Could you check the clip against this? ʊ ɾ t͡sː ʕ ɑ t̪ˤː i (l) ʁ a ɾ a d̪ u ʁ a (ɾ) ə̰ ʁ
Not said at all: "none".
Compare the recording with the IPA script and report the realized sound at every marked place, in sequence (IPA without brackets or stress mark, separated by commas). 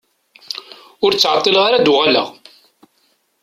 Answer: l, l